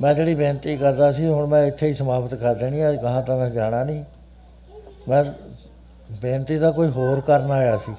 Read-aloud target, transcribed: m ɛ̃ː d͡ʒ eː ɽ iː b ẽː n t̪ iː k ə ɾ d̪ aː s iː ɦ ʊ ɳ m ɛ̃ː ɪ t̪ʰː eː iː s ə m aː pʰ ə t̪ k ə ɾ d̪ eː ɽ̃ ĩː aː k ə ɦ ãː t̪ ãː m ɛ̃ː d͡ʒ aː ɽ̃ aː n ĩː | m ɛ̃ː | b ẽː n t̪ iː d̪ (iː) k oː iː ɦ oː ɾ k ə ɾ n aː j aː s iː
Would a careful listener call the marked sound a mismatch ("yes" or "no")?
yes